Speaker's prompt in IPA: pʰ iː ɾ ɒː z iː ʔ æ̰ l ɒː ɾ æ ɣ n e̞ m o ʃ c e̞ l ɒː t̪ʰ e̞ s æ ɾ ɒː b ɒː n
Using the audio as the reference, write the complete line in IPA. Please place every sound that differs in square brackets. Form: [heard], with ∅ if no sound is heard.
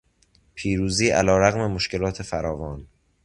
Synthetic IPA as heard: pʰ iː ɾ [uː] z iː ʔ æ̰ l ɒː ɾ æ ɣ [m] e̞ m o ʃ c e̞ l ɒː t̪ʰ e̞ [f] æ ɾ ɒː [v] ɒː n